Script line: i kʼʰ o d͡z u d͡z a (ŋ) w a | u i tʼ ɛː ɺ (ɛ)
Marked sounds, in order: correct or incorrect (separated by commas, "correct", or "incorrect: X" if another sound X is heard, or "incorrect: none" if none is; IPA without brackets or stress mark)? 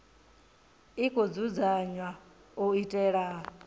incorrect: ɲ, incorrect: a